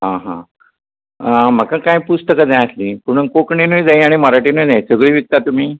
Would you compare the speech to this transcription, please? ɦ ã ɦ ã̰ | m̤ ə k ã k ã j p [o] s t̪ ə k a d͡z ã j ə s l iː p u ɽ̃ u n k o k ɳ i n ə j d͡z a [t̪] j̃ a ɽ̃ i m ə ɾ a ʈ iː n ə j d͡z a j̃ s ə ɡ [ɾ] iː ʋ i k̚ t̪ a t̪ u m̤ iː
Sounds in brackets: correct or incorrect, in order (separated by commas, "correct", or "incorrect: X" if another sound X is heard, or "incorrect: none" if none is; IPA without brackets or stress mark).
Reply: incorrect: u, incorrect: none, incorrect: ɭ